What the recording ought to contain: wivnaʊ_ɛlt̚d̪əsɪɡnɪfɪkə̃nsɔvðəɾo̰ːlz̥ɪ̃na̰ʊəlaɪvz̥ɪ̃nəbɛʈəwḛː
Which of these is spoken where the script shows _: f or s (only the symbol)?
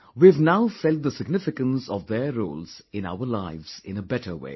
f